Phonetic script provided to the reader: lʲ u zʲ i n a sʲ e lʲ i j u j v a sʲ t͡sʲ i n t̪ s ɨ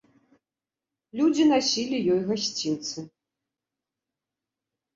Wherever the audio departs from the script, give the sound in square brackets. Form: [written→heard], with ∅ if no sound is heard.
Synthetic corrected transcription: lʲ u [zʲ→d͡zʲ] i n a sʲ [e→i] lʲ i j [u→ɔ] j [v→ɣ] a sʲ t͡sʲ i n t̪ s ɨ